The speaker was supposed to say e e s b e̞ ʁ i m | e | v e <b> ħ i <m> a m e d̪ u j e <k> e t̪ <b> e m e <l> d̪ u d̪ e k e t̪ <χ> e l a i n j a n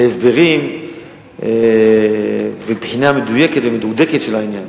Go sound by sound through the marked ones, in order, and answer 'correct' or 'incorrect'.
correct, incorrect: n, correct, incorrect: v, incorrect: none, incorrect: ʃ

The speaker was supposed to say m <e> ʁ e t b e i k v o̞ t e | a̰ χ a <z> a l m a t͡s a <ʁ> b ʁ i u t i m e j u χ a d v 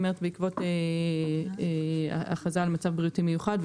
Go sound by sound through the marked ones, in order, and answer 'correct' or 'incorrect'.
correct, correct, incorrect: v

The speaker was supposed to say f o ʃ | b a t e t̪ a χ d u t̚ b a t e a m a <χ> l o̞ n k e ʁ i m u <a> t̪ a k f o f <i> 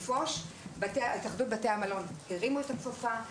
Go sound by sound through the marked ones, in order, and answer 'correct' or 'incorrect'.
incorrect: none, incorrect: e, incorrect: a

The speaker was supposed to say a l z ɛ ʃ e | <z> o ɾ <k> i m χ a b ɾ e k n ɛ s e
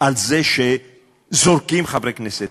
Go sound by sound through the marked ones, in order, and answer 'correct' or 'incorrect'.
correct, correct

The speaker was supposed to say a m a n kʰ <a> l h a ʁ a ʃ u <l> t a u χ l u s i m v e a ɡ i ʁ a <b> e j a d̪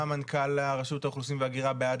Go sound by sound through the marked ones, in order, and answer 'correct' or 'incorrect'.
correct, incorrect: none, correct

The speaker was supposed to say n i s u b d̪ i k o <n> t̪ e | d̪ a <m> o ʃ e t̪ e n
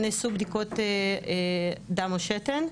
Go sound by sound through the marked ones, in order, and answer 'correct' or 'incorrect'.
incorrect: none, correct

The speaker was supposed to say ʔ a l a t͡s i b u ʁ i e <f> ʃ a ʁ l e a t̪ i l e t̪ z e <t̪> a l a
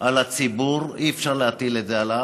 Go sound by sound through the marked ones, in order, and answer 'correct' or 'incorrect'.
correct, incorrect: none

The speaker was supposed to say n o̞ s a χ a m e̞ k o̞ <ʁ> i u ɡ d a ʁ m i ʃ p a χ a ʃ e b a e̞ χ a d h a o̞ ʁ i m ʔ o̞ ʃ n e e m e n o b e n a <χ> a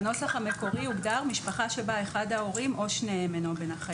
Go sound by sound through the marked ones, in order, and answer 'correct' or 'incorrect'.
correct, correct

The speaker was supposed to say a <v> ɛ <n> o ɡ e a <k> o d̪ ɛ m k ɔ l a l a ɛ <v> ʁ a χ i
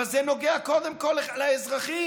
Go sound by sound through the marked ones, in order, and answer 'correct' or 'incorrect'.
incorrect: z, correct, correct, incorrect: z

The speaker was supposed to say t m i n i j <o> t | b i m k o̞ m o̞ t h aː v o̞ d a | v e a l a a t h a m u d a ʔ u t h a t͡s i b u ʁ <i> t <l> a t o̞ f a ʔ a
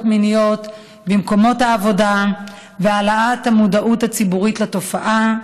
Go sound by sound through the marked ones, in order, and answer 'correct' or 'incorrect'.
correct, correct, correct

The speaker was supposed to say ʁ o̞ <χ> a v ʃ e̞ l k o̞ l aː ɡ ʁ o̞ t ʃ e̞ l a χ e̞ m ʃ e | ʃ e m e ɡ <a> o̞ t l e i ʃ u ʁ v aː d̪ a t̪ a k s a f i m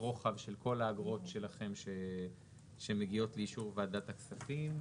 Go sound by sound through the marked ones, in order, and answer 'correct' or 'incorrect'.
correct, incorrect: i

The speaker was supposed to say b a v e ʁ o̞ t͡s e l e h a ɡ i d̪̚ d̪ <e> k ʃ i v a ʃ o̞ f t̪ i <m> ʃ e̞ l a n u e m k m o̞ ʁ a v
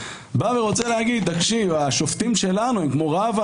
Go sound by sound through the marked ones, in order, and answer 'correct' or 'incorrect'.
incorrect: a, correct

